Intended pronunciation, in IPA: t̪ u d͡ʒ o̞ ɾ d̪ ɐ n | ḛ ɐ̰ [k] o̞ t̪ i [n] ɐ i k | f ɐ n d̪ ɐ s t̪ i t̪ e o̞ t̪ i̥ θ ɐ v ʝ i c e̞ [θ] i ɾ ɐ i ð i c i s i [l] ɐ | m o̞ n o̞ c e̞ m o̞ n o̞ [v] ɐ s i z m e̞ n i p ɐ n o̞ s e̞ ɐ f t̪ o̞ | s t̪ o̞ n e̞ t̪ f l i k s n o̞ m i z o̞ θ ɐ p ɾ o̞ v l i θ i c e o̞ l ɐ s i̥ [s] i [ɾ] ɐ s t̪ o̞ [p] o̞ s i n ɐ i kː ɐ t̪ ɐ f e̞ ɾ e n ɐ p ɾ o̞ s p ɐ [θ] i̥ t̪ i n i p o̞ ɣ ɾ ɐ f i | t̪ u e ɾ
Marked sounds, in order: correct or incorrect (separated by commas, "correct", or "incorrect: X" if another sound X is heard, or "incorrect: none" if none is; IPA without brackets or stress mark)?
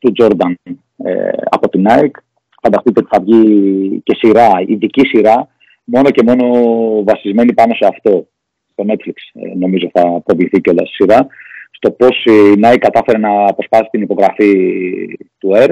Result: incorrect: p, correct, incorrect: s, incorrect: ɾ, correct, correct, correct, correct, incorrect: s